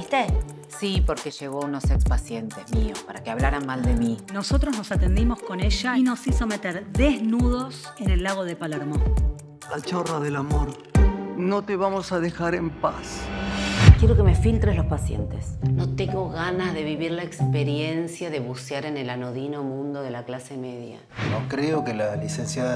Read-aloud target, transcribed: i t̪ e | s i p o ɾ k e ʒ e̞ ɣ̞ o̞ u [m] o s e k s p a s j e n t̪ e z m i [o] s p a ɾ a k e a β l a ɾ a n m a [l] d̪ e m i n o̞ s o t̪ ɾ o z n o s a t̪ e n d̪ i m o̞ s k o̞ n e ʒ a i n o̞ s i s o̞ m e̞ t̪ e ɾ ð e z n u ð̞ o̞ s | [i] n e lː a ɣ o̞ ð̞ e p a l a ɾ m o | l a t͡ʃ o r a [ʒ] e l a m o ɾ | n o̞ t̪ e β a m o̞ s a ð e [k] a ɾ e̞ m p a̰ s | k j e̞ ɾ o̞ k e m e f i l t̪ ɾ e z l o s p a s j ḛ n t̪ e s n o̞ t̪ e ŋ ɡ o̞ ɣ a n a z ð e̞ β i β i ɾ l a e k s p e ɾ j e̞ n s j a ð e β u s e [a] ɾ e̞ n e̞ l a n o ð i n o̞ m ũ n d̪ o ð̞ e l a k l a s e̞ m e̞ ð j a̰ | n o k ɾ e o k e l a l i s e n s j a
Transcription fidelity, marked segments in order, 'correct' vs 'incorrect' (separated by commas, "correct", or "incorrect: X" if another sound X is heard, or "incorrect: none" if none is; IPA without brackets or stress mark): incorrect: n, correct, correct, incorrect: e, incorrect: ð, incorrect: x, correct